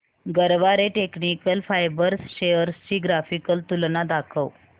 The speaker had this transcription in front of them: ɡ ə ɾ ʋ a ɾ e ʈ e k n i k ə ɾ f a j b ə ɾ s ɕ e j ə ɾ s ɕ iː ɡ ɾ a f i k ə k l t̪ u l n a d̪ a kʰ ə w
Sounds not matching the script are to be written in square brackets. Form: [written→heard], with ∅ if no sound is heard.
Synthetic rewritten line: ɡ ə ɾ ʋ a ɾ e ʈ e k n i k ə [ɾ→l] f a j b ə ɾ s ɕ e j ə ɾ s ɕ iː ɡ ɾ a f i k ə [k→∅] l t̪ u l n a d̪ a kʰ ə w